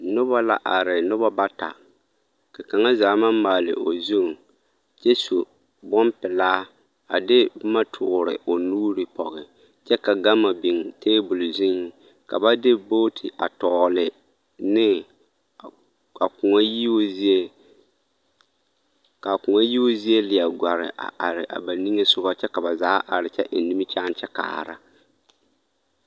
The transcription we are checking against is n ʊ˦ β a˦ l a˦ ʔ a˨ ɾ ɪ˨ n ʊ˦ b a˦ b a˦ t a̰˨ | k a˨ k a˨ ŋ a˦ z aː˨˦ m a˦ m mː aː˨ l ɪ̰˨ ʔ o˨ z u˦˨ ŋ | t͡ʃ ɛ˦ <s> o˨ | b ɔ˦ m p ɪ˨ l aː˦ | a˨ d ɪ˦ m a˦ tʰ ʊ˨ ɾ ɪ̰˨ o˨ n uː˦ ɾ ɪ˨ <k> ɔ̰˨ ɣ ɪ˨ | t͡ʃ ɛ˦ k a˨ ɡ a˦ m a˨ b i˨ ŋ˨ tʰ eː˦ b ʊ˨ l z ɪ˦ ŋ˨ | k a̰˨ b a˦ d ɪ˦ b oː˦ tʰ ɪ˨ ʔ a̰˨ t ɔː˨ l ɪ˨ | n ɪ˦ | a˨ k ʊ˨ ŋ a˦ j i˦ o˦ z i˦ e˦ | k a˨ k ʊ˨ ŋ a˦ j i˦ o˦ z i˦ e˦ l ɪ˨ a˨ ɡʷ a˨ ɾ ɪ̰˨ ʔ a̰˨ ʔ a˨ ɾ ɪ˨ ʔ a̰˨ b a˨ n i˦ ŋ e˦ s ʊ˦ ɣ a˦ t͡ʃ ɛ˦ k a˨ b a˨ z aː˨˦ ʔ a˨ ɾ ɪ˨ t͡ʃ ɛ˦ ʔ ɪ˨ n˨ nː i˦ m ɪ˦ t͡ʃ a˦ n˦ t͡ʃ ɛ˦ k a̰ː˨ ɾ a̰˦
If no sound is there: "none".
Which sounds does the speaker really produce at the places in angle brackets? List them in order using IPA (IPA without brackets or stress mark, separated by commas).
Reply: s, p